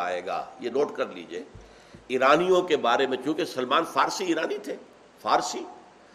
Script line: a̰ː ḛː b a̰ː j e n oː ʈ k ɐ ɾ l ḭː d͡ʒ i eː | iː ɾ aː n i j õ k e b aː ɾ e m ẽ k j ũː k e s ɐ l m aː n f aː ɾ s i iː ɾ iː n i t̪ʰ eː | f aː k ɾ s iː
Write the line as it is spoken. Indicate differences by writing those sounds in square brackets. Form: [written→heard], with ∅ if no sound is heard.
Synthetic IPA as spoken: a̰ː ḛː [b→ɡ] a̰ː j e n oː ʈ k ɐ ɾ l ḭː d͡ʒ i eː | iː ɾ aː n i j õ k e b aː ɾ e m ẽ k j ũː k e s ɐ l m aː n f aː ɾ s i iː ɾ [iː→aː] n i t̪ʰ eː | f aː [k→∅] ɾ s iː